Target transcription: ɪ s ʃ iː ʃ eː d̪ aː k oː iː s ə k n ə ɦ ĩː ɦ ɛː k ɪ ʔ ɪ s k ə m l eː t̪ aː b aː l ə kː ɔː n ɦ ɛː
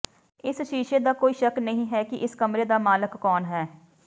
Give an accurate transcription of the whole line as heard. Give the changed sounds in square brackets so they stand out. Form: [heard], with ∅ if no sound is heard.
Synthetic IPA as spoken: ɪ s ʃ iː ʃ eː d̪ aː k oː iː [ʃ] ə k n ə ɦ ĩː ɦ ɛː k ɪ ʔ ɪ s k ə m [ɾ] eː [d̪] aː [m] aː l ə kː ɔː n ɦ ɛː